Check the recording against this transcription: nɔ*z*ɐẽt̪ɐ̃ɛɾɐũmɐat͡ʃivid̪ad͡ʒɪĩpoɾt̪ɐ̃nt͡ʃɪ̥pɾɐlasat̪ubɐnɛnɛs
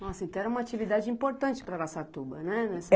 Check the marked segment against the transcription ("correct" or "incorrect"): incorrect